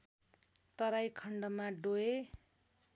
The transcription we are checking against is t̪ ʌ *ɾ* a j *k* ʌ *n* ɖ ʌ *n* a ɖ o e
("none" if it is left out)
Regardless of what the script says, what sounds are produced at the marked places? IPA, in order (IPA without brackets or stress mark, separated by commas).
ɾ, kʰ, ɳ, m